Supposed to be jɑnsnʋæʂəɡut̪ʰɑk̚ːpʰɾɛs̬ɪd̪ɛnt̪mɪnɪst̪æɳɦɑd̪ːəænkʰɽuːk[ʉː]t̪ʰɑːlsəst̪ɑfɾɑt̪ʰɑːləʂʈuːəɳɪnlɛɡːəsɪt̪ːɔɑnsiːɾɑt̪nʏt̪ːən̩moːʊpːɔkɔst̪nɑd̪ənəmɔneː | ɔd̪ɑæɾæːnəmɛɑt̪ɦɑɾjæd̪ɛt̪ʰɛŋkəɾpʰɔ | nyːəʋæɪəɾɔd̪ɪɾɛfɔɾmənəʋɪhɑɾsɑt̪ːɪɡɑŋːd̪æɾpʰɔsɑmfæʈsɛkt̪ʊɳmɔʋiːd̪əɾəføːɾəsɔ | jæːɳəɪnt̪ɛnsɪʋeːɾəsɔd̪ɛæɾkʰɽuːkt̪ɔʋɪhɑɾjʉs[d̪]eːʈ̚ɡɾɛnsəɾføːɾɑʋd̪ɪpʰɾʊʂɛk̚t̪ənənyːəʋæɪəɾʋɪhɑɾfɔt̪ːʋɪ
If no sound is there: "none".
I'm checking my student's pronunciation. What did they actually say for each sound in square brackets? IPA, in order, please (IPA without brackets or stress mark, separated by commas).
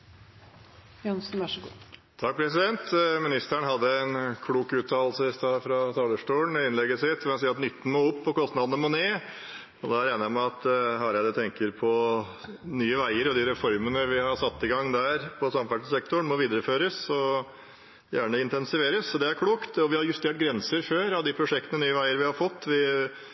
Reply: ʉː, t̪